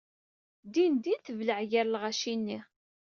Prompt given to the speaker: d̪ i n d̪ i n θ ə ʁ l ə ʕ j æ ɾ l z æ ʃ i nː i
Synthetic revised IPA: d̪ i n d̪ i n θ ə v l ə ʕ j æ ɾ l ʁ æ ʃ i nː i